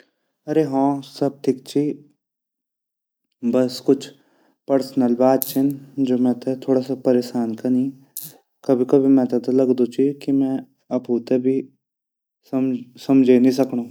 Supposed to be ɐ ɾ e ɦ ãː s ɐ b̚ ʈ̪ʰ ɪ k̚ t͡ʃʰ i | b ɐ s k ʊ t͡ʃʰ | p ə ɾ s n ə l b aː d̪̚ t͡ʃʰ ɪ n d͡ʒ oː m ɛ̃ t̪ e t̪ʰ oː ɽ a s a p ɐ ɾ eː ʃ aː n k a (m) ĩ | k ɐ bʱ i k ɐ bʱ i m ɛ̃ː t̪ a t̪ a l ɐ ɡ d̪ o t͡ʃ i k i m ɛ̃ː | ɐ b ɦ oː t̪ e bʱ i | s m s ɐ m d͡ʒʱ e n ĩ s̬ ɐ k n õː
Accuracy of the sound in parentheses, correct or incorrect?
incorrect: n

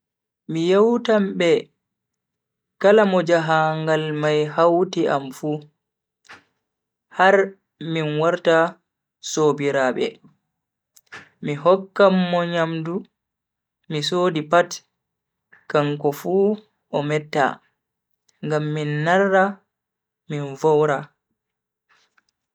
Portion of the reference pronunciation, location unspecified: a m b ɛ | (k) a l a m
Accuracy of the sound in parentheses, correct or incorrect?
correct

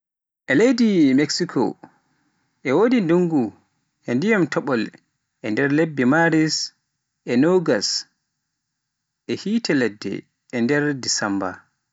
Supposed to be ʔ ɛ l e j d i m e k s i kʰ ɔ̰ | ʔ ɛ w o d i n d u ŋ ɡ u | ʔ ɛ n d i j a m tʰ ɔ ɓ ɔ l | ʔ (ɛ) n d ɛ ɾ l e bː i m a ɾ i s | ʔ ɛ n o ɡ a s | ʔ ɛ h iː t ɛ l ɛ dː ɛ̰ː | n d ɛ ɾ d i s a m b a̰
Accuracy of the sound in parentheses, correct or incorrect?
correct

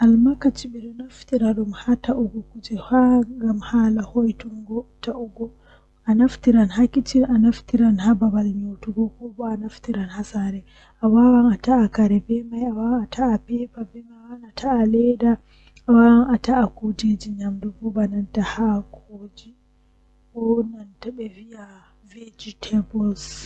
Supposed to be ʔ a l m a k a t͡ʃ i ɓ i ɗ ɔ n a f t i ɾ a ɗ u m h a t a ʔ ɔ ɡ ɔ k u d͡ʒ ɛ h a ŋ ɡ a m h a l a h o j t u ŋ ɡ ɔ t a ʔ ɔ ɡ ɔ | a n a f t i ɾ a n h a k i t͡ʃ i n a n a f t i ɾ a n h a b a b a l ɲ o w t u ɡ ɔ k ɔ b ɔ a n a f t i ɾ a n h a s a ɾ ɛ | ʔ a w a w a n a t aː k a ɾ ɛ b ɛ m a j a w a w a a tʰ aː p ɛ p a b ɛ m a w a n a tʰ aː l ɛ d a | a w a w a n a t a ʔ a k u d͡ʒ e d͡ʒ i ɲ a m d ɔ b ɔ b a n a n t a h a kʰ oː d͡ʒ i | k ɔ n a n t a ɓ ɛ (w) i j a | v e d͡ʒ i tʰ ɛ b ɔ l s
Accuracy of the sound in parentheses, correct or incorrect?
incorrect: v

